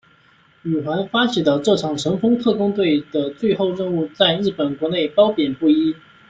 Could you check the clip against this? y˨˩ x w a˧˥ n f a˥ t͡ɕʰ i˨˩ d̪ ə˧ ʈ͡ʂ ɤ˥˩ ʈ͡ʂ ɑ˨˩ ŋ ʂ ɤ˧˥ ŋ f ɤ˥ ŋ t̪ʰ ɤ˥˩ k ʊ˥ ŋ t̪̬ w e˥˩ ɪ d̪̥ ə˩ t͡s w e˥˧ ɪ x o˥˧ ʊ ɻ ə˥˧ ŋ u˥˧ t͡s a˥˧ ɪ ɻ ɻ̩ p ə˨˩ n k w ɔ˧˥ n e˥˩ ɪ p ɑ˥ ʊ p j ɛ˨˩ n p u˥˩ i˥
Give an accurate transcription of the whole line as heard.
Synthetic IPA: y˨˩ x w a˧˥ n f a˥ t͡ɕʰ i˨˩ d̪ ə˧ ʈ͡ʂ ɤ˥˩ ʈ͡ʂʰ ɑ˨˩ ŋ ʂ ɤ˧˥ ŋ f ɤ˥ ŋ t̪ʰ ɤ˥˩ k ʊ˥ ŋ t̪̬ w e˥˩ ɪ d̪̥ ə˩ t͡s w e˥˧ ɪ x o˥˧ ʊ ɻ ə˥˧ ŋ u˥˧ t͡s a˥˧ ɪ ɻ ɻ̩ p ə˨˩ n k w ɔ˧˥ n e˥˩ ɪ p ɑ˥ ʊ p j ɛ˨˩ n p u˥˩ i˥

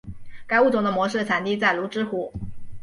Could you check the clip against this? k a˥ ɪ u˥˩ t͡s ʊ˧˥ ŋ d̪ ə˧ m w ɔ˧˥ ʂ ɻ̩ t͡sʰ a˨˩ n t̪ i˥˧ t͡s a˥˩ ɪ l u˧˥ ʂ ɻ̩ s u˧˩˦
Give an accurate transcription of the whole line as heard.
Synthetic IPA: k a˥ ɪ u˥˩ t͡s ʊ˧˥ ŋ d̪ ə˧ m w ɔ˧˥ ʂ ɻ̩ t͡sʰ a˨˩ n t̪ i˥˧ t͡s a˥˩ ɪ l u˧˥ ʈ͡ʂ ɻ̩ x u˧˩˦

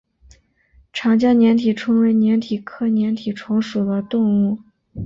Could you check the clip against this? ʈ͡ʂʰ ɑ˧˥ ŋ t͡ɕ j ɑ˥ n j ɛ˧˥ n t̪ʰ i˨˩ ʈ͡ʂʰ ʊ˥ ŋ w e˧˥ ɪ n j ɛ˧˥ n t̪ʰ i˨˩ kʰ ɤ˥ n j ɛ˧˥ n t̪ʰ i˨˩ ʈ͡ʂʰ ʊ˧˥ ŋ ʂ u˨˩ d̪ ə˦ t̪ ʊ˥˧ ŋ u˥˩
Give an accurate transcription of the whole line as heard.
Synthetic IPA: ʈ͡ʂʰ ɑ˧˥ ŋ t͡ɕ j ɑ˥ n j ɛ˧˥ n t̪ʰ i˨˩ ʈ͡ʂʰ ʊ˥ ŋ w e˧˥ ɪ n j ɛ˧˥ n t̪ʰ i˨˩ kʰ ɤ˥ n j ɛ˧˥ n t̪ʰ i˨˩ ʈ͡ʂʰ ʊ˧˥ ŋ ʂ u˨˩ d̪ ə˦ t̪ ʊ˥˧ ŋ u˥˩

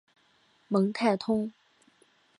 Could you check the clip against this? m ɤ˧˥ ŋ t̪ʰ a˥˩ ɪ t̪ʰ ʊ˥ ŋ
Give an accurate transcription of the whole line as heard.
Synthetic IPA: m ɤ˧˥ ŋ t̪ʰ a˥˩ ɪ t̪ʰ ʊ˥ ŋ

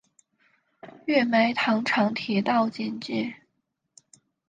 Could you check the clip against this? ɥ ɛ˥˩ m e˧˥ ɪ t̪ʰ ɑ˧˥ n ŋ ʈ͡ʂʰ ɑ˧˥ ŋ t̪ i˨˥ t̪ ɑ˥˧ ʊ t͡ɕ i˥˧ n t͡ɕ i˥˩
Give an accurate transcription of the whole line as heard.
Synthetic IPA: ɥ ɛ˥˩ m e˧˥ ɪ t̪ʰ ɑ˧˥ ŋ ʈ͡ʂʰ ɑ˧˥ ŋ t̪ʰ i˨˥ t̪ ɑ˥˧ ʊ t͡ɕ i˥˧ n t͡ɕ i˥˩

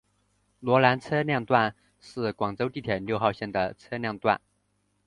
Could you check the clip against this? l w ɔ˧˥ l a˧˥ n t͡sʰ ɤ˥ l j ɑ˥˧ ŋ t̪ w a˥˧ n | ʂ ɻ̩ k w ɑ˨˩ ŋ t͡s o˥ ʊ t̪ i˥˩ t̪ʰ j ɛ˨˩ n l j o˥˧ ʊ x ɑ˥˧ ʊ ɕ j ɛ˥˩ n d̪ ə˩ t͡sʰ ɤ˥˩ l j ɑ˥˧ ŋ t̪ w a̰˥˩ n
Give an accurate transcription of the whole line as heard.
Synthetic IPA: l w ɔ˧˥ l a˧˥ n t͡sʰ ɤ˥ l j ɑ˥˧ ŋ t̪ w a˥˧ n | ʂ ɻ̩ k w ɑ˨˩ ŋ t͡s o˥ ʊ t̪ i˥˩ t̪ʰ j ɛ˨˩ n l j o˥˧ ʊ x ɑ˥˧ ʊ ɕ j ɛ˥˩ n d̪ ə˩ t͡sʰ ɤ˥ l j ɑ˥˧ ŋ t̪ w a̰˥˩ n

